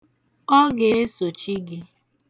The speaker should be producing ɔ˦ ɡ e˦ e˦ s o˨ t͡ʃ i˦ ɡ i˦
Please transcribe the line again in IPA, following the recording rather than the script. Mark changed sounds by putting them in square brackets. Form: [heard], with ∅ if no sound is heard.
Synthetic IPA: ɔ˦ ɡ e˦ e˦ s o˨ t͡ʃ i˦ ɡ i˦